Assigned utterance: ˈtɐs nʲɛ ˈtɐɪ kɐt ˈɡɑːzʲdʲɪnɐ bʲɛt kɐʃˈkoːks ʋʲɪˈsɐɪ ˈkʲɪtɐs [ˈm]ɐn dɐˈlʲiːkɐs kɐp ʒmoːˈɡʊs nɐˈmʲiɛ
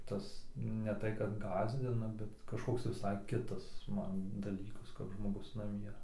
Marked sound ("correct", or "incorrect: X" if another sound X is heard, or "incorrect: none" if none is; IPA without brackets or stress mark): correct